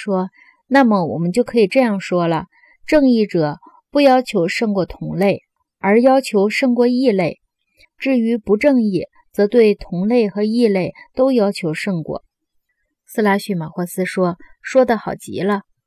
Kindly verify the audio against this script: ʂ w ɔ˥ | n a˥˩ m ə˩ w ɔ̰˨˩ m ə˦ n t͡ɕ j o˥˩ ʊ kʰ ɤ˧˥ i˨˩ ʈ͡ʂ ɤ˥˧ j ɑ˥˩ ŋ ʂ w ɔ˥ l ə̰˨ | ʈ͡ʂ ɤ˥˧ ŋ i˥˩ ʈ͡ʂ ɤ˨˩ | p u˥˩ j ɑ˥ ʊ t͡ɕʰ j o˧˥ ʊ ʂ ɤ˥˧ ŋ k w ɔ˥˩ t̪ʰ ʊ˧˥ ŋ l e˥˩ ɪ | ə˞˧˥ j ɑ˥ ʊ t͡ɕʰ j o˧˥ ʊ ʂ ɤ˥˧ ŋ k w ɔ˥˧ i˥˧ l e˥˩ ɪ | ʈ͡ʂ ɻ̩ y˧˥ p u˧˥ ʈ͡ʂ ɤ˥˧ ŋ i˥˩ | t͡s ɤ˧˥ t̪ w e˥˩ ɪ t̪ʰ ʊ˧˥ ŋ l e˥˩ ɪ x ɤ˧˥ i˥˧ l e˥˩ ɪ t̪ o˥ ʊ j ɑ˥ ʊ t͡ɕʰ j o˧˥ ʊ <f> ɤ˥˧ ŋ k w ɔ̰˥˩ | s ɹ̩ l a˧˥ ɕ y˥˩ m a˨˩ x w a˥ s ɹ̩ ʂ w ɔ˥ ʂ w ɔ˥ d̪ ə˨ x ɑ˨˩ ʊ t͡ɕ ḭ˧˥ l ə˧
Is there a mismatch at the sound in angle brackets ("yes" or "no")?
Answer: yes